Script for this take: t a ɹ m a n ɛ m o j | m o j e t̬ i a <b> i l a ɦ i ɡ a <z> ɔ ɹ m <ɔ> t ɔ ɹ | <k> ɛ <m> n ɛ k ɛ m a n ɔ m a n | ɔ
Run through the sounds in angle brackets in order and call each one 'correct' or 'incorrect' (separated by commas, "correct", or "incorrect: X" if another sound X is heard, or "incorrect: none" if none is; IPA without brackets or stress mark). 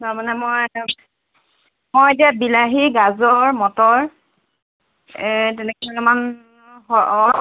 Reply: correct, correct, correct, incorrect: t, incorrect: none